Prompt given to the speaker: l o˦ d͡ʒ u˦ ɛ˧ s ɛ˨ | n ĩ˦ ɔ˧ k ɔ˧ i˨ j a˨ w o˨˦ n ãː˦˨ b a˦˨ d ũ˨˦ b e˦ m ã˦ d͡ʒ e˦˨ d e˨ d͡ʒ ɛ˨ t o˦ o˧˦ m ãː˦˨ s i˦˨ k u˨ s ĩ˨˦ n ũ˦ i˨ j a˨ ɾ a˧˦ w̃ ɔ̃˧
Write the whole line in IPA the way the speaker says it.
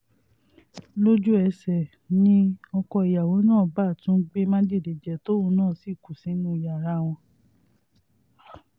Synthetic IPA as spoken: l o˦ d͡ʒ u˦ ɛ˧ s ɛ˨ | n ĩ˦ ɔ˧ k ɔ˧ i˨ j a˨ w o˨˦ n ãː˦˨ b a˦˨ t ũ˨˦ ɡ͡b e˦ m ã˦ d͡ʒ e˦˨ d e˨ d͡ʒ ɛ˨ t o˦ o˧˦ n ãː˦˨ s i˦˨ k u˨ s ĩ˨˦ n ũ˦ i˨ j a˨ ɾ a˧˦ w̃ ɔ̃˧